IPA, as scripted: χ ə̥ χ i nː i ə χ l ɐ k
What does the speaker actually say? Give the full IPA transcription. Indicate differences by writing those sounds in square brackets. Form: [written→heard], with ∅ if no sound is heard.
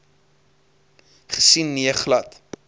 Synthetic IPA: χ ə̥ [χ→s] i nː i ə χ l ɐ [k→t]